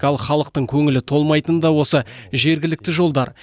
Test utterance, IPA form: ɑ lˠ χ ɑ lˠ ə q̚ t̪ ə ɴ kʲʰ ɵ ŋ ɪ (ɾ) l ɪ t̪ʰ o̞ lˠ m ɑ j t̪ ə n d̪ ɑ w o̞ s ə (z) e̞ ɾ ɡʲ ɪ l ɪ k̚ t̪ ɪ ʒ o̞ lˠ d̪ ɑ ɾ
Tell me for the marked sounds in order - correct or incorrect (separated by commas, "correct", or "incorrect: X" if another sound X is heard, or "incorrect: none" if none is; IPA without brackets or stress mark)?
incorrect: none, incorrect: ʒ